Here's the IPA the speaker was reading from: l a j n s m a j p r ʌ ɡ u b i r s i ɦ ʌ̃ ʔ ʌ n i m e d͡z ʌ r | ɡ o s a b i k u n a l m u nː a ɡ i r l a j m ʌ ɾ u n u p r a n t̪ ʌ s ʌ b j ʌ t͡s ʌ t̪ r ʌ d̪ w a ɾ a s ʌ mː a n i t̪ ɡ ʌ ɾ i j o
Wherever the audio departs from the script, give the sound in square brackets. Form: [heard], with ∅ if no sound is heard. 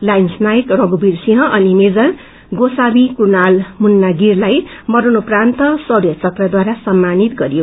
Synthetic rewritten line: l a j n s [n] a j [k] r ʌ ɡ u b i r s i ɦ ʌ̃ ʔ ʌ n i m e d͡z ʌ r | ɡ o s a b i k u n a l m u nː a ɡ i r l a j m ʌ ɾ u n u p r a n t̪ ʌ s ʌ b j ʌ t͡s ʌ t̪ r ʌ d̪ w a ɾ a s ʌ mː a n i t̪ ɡ ʌ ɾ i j o